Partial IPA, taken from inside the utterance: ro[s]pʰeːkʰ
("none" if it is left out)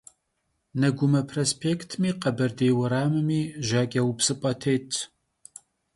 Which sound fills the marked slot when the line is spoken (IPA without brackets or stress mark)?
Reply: s